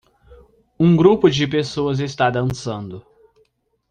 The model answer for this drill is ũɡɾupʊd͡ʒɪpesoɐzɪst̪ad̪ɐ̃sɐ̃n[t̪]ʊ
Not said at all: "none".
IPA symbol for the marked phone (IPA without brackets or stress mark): d̪